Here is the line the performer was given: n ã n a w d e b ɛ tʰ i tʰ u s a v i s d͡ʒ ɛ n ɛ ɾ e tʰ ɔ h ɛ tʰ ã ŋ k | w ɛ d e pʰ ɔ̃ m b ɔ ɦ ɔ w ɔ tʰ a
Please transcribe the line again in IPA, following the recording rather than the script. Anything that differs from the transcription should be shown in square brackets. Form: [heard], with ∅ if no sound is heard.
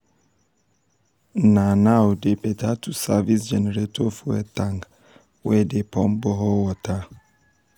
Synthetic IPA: n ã n a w d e b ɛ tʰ [a] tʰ u s a v i s d͡ʒ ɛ n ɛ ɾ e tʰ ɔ [f] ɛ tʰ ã ŋ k | w ɛ d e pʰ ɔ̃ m b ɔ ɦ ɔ w ɔ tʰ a